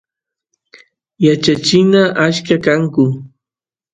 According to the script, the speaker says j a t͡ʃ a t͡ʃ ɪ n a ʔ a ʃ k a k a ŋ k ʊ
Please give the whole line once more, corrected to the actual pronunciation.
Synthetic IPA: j a t͡ʃ a t͡ʃ ɪ n a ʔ a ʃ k a k a ŋ k ʊ